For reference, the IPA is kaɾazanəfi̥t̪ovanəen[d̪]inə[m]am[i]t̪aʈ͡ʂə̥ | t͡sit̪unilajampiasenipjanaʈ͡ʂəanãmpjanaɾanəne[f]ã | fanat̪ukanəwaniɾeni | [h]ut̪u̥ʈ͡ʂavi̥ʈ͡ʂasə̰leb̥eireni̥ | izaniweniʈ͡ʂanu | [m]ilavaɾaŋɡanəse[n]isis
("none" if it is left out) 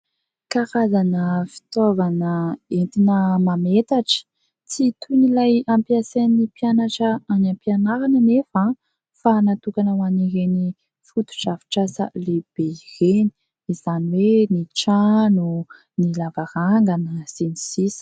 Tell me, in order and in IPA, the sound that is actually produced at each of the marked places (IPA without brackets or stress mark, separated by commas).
t̪, m, e, f, f, n, n